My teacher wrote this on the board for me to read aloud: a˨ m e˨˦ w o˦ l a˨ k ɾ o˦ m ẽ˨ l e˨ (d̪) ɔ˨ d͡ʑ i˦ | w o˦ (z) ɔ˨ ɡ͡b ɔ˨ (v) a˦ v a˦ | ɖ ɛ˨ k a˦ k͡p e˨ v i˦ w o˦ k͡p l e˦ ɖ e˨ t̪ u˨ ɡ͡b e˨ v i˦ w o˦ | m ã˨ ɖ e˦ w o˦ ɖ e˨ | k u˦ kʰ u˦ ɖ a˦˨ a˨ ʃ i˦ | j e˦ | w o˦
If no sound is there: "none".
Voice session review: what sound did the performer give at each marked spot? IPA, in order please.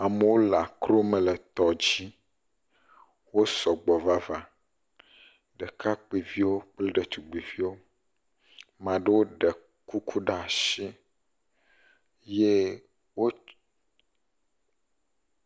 t̪, s, v

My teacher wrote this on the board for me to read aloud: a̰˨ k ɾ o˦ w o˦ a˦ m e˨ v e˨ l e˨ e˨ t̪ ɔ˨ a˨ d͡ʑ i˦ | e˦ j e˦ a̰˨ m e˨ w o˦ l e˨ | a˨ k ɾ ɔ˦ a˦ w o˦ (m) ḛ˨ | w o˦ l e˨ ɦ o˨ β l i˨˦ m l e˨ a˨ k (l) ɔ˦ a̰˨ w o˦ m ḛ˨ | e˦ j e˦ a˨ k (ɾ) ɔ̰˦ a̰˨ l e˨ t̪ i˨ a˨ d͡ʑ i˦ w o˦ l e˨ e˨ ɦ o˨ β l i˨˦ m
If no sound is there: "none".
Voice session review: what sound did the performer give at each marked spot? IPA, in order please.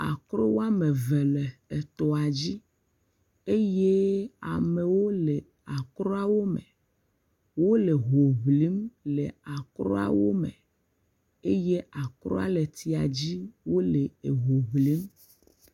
m, ɾ, ɾ

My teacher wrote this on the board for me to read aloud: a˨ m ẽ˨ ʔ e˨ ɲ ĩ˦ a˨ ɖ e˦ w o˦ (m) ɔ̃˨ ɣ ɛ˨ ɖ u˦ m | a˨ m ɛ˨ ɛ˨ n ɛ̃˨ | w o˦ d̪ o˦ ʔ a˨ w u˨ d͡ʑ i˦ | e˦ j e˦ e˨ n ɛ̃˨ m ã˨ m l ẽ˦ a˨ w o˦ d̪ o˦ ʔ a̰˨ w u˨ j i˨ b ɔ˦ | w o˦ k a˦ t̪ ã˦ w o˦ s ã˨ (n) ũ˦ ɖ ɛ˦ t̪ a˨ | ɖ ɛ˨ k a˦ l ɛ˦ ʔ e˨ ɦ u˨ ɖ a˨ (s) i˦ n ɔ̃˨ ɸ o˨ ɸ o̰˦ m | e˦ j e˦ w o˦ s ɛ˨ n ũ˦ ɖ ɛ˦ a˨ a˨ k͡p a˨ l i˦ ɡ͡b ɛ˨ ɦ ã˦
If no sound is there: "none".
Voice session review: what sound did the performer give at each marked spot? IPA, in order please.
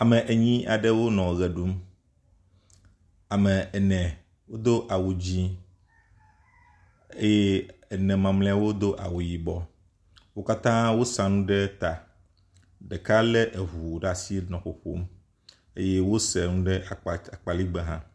n, n, s

